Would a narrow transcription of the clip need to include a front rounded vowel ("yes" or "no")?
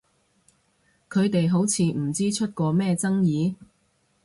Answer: no